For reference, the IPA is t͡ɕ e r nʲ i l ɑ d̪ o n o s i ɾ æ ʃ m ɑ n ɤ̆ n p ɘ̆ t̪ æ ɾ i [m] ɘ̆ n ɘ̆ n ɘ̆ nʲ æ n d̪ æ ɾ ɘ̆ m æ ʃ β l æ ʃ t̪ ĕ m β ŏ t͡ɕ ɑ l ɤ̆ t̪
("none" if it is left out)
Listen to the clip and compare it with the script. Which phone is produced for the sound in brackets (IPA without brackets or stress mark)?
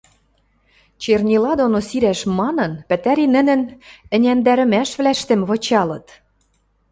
n